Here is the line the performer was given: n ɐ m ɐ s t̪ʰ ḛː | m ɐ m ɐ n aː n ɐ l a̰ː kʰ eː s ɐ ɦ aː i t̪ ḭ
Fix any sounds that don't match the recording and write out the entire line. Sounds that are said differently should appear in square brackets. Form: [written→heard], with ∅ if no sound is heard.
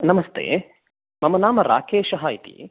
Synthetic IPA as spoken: n ɐ m ɐ s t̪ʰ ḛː | m ɐ m ɐ n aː [n→m] ɐ [l→ɾ] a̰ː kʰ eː [s→ʃ] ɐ ɦ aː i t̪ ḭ

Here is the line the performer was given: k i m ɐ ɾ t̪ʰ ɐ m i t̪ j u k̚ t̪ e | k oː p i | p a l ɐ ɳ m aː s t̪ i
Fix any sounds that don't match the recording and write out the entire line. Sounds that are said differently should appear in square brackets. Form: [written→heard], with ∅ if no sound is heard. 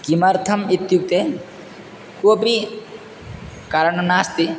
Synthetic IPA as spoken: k i m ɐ ɾ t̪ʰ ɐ m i t̪ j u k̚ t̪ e | k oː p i | [p→k] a [l→ɾ] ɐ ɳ [m→n] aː s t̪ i

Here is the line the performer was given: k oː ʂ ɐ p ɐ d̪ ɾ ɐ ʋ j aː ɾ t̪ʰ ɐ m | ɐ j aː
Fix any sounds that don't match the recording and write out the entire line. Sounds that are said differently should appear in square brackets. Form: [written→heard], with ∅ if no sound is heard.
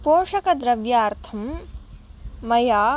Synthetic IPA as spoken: [k→p] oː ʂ ɐ [p→k] ɐ d̪ ɾ ɐ ʋ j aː ɾ t̪ʰ ɐ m | ɐ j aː

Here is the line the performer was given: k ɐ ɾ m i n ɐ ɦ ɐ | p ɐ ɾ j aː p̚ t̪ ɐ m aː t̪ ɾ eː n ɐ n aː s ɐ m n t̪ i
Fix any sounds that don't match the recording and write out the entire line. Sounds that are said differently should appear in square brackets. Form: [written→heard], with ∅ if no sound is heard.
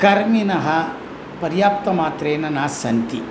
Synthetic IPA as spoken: k ɐ ɾ m i n ɐ ɦ ɐ | p ɐ ɾ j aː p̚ t̪ ɐ m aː t̪ ɾ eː n ɐ n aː s ɐ [m→∅] n t̪ i

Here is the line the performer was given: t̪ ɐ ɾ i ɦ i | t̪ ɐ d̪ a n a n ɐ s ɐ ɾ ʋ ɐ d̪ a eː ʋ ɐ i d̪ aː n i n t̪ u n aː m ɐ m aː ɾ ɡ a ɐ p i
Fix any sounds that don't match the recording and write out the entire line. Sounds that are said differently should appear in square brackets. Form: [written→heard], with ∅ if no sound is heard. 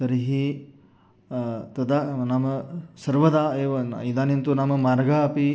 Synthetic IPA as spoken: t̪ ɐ ɾ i ɦ i | t̪ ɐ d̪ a n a [n→m] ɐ s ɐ ɾ ʋ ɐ d̪ a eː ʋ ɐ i d̪ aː n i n t̪ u n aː m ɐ m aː ɾ ɡ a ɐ p i

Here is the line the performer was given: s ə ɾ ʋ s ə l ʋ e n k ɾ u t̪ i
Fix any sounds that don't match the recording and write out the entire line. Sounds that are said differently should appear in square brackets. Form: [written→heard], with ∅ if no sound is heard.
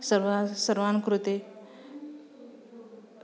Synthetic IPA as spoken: s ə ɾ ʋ s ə [l→ɾ] ʋ [e→a] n k ɾ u t̪ [i→e]

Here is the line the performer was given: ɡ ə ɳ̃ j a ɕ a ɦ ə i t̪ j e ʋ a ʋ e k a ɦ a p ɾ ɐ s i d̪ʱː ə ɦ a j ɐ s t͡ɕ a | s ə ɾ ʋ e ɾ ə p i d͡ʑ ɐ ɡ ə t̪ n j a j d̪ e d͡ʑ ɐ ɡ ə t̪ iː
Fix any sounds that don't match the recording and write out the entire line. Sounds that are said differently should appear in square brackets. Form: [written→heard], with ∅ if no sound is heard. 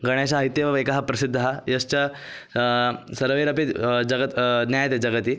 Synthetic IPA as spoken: ɡ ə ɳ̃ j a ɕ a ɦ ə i t̪ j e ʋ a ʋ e k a ɦ a p ɾ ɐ s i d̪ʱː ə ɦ a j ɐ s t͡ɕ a | s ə ɾ ʋ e ɾ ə p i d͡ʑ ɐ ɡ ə t̪ n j a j [d̪→t̪] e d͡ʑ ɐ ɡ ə t̪ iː

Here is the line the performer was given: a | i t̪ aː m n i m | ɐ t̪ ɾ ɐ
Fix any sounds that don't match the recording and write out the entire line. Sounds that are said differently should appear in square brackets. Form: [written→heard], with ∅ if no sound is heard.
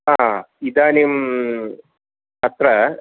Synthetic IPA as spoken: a | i [t̪→d̪] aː [m→∅] n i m | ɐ t̪ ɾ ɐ

